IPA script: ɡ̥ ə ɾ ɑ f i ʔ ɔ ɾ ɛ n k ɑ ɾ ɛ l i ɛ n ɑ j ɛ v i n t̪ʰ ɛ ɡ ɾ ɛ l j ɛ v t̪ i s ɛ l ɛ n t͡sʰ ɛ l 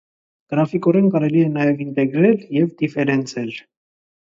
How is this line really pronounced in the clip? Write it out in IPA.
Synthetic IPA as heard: ɡ̥ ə ɾ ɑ f i k ɔ ɾ ɛ n k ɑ ɾ ɛ l i ɛ n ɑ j ɛ v i n t̪ ɛ ɡ ɾ ɛ l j ɛ v d̪ i f ɛ ɾ ɛ n t͡sʰ ɛ l